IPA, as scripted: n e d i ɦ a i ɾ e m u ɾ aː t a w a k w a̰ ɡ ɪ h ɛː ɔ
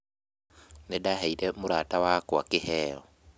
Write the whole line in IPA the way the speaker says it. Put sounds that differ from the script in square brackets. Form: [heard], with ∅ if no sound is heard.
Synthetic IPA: n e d [a] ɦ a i ɾ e m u ɾ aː t a w a k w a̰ [k] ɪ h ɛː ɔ